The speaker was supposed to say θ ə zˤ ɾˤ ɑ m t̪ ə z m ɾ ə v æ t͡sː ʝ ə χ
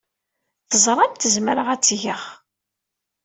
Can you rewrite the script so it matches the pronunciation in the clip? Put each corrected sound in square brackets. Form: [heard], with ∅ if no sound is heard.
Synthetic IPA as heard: θ ə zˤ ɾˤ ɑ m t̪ ə z m ɾ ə [ʁ] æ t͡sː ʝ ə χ